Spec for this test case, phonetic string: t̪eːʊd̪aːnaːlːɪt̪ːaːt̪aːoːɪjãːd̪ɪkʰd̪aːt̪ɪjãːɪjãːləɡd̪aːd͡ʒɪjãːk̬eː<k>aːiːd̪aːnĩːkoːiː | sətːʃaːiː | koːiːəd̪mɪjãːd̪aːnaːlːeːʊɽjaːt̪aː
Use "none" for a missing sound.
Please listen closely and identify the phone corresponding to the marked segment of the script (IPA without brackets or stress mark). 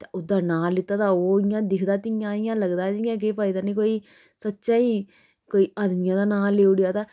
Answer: p